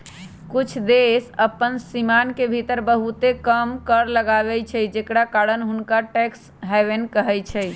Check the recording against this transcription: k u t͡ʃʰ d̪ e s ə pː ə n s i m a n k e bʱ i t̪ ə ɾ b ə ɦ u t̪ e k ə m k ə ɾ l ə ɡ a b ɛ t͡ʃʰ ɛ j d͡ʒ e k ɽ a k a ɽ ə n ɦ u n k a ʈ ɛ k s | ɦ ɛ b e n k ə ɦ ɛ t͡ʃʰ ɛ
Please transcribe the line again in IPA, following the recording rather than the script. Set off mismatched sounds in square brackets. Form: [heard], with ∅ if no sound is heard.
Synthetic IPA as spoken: k u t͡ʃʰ d̪ e s ə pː ə n s i m a n k e bʱ i t̪ ə ɾ b ə ɦ u t̪ e k ə m k ə ɾ l ə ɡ a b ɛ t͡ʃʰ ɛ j d͡ʒ e k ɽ a k a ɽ ə n ɦ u n k a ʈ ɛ k s | ɦ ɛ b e n k ə ɦ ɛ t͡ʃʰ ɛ